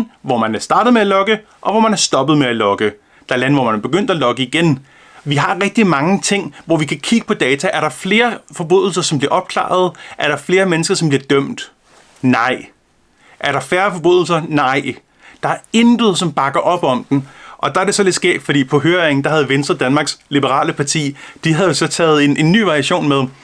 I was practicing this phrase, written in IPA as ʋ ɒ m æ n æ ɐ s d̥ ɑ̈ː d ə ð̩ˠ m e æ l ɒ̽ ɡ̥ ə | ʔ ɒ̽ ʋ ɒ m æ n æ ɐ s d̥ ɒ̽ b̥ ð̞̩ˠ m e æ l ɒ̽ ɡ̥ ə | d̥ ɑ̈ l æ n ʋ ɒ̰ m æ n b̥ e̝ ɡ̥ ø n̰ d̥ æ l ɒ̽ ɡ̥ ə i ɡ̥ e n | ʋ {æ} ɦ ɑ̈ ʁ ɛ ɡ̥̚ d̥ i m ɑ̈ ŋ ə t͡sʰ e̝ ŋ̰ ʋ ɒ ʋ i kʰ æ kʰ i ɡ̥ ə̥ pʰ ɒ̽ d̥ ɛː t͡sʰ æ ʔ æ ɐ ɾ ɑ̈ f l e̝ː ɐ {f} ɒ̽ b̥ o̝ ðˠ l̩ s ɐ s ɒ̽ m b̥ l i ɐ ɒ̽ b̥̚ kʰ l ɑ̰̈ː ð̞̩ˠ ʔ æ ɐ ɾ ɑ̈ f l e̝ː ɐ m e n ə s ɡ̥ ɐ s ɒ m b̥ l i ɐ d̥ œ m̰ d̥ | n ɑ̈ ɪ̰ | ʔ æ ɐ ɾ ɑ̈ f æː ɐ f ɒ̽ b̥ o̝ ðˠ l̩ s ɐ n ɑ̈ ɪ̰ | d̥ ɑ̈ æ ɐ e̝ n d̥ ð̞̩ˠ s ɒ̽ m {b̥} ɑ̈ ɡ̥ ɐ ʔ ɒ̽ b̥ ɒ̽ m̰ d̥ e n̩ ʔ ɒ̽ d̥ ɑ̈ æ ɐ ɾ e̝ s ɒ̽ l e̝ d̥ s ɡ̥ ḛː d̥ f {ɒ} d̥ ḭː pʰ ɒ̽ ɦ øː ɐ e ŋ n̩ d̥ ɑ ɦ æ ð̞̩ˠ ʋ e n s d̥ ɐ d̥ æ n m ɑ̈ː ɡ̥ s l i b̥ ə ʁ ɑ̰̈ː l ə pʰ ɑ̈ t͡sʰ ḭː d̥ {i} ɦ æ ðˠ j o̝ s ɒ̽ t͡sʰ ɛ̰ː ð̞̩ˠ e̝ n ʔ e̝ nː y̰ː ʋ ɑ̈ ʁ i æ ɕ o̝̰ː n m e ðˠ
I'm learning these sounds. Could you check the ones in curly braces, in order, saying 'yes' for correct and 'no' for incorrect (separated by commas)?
no, yes, yes, yes, yes